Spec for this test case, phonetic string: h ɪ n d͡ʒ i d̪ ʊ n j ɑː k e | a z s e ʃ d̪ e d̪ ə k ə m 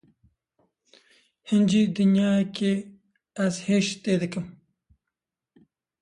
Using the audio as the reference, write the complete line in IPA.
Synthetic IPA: h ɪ n d͡ʒ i d̪ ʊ n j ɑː k e | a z h e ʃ t̪ e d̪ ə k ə m